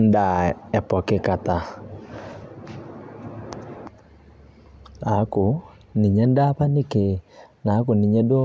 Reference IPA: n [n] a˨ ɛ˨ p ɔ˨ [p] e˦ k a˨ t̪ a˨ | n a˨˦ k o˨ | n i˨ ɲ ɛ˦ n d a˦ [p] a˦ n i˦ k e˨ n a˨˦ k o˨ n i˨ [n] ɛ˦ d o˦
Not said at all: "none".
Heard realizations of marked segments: d, k, p, ɲ

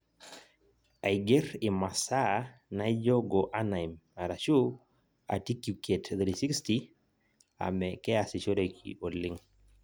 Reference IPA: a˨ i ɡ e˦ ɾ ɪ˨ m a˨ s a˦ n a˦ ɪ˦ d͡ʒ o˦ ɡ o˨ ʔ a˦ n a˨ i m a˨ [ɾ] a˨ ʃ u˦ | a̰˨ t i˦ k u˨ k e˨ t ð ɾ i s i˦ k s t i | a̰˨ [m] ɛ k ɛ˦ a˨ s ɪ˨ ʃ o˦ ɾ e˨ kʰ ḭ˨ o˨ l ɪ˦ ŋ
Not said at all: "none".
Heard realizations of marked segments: ɾ, m

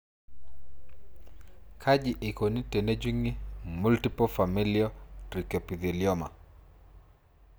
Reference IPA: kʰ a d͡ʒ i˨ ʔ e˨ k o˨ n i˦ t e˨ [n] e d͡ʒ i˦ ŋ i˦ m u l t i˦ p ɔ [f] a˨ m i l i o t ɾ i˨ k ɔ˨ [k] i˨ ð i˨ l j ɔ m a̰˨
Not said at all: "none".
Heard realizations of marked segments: n, f, p

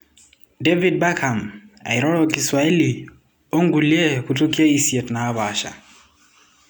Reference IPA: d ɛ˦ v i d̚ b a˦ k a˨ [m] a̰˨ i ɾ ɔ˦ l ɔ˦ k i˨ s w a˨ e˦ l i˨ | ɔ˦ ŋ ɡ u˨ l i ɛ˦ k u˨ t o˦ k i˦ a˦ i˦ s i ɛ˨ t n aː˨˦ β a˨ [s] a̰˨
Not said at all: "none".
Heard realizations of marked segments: m, ʃ

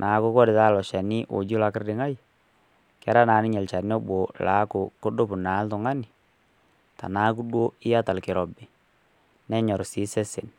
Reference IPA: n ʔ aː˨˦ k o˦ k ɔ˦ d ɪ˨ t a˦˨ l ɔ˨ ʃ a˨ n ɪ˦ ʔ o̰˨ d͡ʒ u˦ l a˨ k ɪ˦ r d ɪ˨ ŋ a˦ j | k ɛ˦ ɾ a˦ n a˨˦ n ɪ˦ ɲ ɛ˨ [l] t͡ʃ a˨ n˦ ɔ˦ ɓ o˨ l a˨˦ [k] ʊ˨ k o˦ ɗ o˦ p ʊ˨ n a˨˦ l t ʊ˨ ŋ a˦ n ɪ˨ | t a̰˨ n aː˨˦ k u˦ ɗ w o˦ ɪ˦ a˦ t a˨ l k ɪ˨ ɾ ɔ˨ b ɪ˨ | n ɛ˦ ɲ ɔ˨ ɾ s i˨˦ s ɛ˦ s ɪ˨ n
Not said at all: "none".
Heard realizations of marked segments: l, k

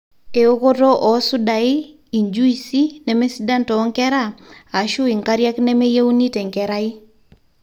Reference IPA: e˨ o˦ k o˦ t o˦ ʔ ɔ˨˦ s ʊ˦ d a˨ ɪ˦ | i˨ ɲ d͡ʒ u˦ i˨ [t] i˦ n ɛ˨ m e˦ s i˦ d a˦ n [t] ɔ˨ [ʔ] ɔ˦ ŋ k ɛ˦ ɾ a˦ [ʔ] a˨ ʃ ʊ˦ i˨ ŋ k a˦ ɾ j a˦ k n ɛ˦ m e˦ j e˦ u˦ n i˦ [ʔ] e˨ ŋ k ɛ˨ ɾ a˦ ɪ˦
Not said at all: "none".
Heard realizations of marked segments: s, t, none, none, t

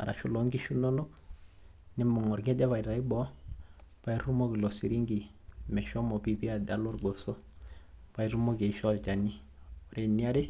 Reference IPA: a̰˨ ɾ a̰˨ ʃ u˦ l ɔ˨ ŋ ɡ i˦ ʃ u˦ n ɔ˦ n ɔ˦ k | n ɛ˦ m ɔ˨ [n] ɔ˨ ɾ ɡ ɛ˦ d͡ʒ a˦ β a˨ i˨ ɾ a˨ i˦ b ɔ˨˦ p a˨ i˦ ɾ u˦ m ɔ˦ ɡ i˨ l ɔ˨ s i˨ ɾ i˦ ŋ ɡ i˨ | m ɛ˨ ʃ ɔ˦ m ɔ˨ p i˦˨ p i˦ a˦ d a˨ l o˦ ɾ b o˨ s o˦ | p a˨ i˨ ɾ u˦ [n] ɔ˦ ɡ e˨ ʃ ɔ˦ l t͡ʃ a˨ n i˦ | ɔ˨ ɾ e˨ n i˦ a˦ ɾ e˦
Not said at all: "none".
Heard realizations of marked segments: ŋ, m

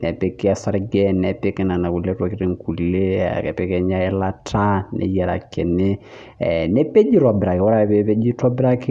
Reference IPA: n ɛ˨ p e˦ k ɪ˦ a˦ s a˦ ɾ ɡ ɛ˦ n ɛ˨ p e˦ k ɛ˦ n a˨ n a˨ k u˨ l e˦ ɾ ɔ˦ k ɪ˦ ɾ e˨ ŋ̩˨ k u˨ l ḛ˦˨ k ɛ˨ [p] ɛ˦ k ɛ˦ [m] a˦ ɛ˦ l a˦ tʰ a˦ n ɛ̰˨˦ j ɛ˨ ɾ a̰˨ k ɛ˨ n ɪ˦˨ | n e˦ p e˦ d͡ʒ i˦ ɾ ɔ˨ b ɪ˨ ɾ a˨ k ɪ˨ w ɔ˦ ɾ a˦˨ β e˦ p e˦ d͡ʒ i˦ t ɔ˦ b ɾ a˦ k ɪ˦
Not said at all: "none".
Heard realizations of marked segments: p, ɲ

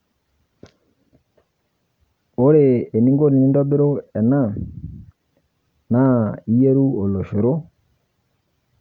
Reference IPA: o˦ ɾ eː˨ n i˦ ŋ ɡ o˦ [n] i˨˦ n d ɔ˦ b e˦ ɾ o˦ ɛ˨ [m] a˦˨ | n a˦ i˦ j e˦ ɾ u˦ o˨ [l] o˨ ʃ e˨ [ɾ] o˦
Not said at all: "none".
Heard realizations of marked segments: n, n, l, ɾ

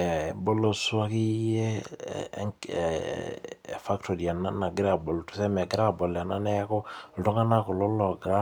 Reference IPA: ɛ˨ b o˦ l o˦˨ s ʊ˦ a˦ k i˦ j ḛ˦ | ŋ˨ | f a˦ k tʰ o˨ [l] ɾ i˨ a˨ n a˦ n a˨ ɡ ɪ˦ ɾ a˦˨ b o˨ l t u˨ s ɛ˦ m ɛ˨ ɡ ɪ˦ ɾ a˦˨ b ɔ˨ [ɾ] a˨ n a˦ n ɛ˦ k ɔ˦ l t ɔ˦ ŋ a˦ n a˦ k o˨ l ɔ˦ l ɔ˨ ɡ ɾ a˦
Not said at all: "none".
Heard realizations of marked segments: none, l

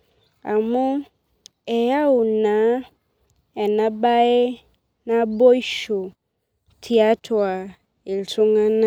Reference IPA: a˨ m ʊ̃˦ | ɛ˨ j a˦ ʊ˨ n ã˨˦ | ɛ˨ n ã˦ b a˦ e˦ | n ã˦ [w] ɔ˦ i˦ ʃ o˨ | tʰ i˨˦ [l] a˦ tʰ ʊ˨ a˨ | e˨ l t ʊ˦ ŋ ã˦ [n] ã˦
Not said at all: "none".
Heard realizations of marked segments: b, none, n

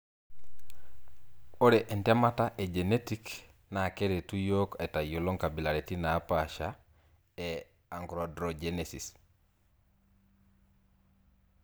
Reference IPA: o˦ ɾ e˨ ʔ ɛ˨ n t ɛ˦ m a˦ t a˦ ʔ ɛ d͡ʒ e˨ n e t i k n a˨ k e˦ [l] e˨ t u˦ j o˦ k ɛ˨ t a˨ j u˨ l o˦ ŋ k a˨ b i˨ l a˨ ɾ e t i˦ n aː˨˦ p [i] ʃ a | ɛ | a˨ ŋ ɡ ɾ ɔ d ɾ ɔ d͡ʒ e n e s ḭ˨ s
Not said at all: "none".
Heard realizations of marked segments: ɾ, a

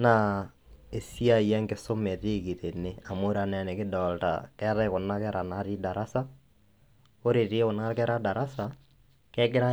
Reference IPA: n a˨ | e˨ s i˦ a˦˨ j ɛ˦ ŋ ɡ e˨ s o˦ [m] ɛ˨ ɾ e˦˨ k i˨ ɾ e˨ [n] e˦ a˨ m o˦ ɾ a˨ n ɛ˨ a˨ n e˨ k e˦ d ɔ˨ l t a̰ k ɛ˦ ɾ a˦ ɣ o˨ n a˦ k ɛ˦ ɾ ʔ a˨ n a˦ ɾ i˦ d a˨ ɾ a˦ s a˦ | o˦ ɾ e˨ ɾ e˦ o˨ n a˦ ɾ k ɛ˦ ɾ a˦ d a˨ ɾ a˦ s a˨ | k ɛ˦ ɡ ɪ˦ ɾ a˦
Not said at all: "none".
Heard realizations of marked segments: m, n

